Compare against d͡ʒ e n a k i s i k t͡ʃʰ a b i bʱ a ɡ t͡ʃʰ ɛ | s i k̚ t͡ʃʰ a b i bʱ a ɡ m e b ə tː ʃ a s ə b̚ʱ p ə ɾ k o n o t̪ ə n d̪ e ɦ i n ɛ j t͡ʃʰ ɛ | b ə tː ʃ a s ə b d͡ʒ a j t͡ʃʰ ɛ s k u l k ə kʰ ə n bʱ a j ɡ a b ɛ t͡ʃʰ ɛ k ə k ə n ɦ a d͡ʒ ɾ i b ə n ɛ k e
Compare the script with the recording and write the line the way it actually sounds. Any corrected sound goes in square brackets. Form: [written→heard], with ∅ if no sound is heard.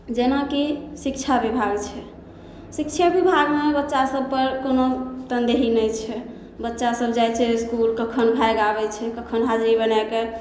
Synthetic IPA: d͡ʒ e n a k i s i k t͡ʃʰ a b i bʱ a ɡ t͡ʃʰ ɛ | s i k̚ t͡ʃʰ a b i bʱ a ɡ m e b ə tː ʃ a s ə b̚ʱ p ə ɾ k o n o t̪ ə n d̪ e ɦ i n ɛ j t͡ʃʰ ɛ | b ə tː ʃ a s ə b d͡ʒ a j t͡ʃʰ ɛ s k u l k ə kʰ ə n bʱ a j ɡ a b ɛ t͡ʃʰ ɛ k ə [k→kʰ] ə n ɦ a d͡ʒ ɾ i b ə n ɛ k e